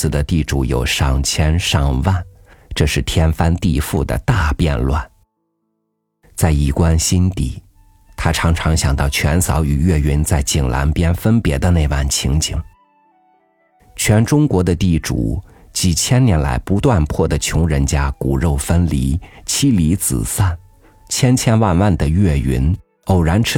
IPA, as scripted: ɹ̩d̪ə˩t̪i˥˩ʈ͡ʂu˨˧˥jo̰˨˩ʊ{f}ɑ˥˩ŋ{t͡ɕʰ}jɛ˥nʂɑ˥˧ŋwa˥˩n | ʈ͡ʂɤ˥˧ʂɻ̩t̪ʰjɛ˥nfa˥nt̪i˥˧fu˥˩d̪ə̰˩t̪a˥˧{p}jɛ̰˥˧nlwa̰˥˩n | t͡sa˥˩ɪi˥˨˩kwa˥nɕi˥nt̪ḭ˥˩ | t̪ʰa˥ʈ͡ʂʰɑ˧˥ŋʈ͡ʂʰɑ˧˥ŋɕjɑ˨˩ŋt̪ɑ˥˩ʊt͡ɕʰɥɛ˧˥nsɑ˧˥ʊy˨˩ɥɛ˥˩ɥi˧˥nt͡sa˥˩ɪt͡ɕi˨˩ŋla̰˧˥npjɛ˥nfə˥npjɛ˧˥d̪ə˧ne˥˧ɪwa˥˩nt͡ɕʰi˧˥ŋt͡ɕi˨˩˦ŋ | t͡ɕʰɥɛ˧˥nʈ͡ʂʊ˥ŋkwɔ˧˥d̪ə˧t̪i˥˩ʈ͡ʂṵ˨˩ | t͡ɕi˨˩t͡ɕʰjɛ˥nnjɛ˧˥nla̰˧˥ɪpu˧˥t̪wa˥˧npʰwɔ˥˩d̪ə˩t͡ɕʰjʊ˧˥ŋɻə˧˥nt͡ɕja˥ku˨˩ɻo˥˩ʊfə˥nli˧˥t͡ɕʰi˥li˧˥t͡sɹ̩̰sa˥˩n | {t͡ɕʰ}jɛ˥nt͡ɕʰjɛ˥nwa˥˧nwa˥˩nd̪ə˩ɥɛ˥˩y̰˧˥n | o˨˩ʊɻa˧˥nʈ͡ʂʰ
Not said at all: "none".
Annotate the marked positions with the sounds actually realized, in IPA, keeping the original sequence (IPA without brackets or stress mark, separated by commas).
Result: ʂ, t͡ɕʰ, p, t͡ɕʰ